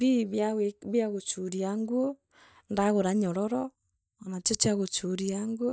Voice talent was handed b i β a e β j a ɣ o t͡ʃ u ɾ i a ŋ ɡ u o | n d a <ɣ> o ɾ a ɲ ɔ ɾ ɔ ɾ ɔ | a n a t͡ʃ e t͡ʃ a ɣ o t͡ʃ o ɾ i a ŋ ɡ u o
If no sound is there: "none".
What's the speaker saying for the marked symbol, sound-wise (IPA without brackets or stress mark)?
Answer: ɣ